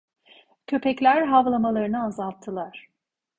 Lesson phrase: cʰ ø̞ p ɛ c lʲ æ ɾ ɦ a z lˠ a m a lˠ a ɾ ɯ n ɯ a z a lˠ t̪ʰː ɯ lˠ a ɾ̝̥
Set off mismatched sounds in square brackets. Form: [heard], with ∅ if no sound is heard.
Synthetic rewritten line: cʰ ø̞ p ɛ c lʲ æ ɾ ɦ a [v] lˠ a m a lˠ a ɾ ɯ n ɯ a z a lˠ t̪ʰː ɯ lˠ a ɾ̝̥